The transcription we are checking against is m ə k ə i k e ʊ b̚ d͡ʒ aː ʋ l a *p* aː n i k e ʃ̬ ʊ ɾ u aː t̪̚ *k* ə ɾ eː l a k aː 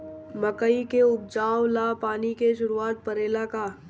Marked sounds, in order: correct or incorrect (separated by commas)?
correct, incorrect